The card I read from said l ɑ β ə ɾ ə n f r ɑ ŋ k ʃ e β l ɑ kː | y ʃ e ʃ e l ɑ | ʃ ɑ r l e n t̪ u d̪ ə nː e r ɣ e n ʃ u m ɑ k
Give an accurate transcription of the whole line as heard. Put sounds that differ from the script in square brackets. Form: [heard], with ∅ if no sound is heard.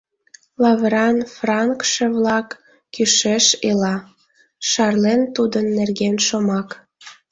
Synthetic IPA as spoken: l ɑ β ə ɾ [ɑ] n f r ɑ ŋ k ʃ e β l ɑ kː | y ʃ e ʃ e l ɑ | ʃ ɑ r l e n t̪ u d̪ ə nː e r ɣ e n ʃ [o] m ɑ k